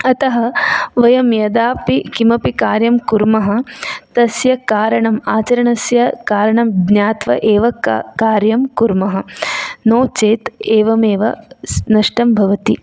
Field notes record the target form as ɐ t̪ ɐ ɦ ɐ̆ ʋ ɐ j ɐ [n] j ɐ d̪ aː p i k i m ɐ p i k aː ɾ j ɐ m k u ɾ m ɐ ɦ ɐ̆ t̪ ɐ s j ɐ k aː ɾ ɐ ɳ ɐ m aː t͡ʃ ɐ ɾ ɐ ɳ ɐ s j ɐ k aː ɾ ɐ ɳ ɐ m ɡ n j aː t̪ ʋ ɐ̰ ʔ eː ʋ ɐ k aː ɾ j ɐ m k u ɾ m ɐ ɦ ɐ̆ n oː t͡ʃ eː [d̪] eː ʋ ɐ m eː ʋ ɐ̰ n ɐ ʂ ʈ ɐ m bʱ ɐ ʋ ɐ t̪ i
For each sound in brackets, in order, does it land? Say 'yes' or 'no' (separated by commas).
no, no